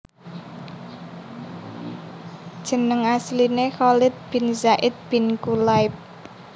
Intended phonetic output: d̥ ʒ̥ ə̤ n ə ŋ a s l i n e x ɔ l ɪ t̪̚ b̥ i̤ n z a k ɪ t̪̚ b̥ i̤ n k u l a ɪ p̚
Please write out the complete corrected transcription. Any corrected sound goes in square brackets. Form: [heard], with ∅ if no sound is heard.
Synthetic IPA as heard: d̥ ʒ̥ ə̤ n ə ŋ a s l i n e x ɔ l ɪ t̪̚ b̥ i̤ n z a [ʔ] ɪ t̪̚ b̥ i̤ n k u l a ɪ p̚